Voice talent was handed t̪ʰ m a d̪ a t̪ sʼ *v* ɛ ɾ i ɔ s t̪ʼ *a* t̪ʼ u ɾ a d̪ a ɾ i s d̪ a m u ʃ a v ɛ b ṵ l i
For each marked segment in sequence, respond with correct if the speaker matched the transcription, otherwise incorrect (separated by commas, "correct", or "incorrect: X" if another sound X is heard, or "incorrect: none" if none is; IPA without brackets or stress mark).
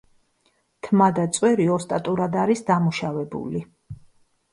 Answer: incorrect: w, correct